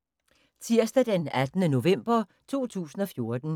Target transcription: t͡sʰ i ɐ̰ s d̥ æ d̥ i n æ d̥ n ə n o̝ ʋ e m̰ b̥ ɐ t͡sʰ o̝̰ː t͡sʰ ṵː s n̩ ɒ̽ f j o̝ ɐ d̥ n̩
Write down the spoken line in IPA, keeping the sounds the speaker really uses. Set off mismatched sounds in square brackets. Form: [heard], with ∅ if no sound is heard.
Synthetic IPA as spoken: t͡sʰ i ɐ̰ s d̥ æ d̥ [e] n æ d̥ n ə n o̝ ʋ e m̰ b̥ ɐ t͡sʰ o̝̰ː t͡sʰ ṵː s n̩ ɒ̽ f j o̝ ɐ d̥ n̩